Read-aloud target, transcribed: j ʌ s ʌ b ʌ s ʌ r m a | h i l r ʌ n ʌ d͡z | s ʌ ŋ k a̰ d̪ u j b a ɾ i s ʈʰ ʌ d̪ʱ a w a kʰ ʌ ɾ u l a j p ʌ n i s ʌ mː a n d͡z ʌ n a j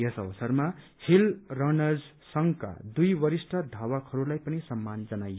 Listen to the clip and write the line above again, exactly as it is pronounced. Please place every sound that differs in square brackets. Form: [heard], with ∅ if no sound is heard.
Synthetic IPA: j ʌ s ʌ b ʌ s ʌ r m a | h i l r ʌ n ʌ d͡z | s ʌ ŋ k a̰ d̪ u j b [ʌ] ɾ i s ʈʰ ʌ d̪ʱ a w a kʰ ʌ ɾ u l a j p ʌ n i s ʌ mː a n d͡z ʌ n a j